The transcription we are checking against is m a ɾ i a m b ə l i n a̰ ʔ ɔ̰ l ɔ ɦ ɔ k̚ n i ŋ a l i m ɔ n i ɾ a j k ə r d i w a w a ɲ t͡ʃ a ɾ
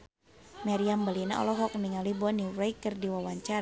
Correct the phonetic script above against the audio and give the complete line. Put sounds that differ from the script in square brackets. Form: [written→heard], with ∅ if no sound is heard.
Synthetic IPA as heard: m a ɾ i a m b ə l i n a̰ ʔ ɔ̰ l ɔ ɦ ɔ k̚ n i ŋ a l i [m→b] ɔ n i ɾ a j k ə r d i w a w a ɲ t͡ʃ a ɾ